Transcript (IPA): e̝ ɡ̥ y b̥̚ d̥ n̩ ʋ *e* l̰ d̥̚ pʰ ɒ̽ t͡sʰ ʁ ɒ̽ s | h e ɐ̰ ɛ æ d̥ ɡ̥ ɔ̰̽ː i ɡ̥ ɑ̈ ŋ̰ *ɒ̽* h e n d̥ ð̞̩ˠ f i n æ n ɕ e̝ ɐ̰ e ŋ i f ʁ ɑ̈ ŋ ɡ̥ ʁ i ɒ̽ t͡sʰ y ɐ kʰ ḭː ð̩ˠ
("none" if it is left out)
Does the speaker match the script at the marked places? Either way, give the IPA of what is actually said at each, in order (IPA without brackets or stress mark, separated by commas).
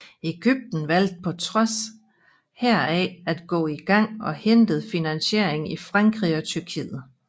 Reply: æ, ɒ̽